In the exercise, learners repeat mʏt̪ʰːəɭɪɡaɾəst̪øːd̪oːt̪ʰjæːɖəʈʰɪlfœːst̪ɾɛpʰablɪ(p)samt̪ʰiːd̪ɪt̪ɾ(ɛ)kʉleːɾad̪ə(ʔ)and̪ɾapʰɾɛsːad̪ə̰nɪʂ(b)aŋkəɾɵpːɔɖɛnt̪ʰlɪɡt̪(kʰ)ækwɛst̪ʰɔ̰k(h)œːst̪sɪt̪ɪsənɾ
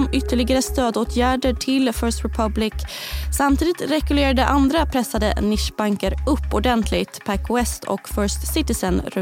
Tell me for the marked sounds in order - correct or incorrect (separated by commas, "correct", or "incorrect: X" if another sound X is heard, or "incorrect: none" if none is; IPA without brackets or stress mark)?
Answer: incorrect: k, correct, correct, correct, incorrect: pʰ, incorrect: f